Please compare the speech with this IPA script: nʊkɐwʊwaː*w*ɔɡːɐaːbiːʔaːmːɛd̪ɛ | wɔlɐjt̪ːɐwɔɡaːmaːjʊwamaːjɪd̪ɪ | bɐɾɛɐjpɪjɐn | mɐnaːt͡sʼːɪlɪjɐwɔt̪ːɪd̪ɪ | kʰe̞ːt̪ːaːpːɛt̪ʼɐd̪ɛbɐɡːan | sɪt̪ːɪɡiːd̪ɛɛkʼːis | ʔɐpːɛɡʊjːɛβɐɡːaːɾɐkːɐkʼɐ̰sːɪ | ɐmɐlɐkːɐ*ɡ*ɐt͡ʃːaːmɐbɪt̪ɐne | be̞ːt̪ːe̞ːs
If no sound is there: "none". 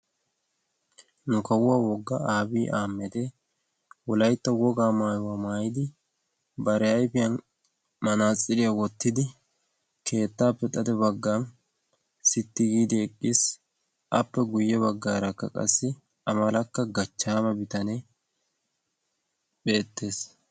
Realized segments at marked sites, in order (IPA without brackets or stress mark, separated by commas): w, ɡ